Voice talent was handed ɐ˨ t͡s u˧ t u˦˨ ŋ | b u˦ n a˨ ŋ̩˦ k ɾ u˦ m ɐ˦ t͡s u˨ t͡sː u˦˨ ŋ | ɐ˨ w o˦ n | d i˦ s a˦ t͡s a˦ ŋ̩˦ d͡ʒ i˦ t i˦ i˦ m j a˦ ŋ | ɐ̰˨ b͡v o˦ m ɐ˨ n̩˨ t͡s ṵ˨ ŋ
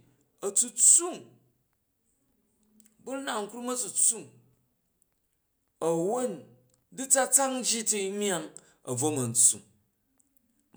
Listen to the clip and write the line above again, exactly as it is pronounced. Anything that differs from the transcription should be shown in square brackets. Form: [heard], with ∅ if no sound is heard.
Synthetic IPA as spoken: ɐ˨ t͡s u˧ [t͡s] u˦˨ ŋ | b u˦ n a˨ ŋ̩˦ k ɾ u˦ m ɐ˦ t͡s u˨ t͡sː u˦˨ ŋ | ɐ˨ w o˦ n | d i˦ [t͡s] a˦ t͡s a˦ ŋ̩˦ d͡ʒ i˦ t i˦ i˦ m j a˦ ŋ | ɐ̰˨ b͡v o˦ m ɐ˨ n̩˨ t͡s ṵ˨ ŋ